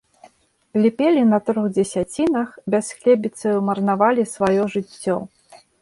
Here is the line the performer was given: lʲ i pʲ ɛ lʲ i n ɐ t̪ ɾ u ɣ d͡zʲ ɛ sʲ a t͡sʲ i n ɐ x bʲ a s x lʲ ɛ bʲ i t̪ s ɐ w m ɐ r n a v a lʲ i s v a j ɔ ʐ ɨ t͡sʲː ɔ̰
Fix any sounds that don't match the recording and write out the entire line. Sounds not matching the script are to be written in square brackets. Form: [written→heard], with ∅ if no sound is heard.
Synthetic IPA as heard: lʲ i pʲ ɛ lʲ i n ɐ t̪ ɾ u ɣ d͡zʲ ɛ sʲ a t͡sʲ i n ɐ x bʲ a s x lʲ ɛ bʲ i t̪ s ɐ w m ɐ r n a v a lʲ i s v a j ɔ ʐ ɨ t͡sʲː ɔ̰